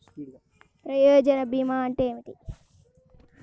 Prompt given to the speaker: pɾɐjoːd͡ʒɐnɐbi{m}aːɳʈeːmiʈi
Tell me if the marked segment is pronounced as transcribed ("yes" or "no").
yes